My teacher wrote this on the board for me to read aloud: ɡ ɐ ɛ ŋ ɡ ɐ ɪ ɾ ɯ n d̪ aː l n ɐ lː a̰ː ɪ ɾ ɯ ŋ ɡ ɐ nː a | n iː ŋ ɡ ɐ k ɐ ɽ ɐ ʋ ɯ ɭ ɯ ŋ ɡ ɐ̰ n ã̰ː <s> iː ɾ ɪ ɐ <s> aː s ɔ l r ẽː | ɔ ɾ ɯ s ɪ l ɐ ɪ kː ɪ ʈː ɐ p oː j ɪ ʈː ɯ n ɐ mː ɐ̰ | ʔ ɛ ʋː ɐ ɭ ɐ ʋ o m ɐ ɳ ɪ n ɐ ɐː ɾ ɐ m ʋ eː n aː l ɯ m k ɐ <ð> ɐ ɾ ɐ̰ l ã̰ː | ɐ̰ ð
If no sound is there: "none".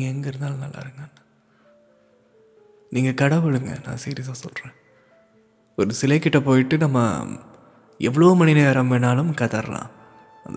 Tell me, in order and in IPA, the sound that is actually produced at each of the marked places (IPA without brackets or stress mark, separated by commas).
s, s, ð